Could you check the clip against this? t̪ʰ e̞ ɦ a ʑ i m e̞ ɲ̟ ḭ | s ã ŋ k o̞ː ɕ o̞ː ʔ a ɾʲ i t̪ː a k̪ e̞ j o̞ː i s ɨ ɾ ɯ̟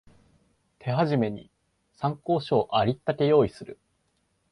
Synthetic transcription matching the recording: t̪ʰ e̞ ɦ a ʑ i m e̞ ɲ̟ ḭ | s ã ŋ k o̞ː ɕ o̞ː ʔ a ɾʲ i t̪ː a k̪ e̞ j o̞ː i s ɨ ɾ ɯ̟